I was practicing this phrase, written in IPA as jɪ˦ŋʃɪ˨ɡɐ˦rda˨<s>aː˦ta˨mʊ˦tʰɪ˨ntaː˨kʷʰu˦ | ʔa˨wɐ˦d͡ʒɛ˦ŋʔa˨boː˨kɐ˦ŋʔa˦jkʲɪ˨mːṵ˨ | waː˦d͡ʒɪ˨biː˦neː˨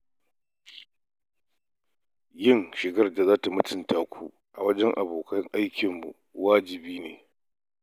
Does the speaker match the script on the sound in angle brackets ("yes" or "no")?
no